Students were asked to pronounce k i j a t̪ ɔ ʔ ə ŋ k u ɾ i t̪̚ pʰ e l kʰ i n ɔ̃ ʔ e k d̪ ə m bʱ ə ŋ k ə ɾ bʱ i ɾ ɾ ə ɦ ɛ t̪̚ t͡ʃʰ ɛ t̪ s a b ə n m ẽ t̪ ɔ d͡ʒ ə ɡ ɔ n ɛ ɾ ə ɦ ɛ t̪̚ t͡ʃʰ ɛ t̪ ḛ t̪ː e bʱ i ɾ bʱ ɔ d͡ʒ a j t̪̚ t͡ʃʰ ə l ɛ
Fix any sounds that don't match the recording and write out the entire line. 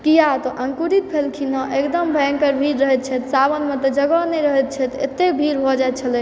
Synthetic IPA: k i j a t̪ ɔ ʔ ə ŋ k u ɾ i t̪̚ pʰ e l kʰ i n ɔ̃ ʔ e k d̪ ə m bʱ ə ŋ k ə ɾ bʱ i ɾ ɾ ə ɦ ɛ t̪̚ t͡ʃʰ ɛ t̪ s a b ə n m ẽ t̪ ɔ d͡ʒ ə ɡ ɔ n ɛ ɾ ə ɦ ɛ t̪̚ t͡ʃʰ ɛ t̪ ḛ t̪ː e bʱ i ɾ bʱ ɔ d͡ʒ a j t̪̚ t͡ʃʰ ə l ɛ